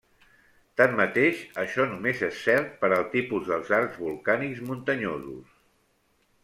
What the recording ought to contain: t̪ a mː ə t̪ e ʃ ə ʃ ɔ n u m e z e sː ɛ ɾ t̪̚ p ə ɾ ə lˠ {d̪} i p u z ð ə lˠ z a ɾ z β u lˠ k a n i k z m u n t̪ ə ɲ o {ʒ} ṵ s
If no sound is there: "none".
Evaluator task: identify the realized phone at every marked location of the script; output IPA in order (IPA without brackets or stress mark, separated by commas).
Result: t̪, z